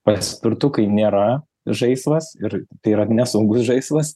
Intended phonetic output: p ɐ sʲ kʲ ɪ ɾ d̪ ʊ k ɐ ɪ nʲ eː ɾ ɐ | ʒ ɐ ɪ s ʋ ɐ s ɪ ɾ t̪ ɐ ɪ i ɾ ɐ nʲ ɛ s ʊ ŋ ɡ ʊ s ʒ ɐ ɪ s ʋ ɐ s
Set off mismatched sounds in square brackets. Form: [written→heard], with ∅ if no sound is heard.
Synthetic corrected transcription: p ɐ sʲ [kʲ→pʲ] ɪ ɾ [d̪→t̪] ʊ k ɐ ɪ nʲ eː ɾ ɐ | ʒ ɐ ɪ s ʋ ɐ s ɪ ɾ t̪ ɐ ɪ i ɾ ɐ nʲ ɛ s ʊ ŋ ɡ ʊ s ʒ ɐ ɪ s ʋ ɐ s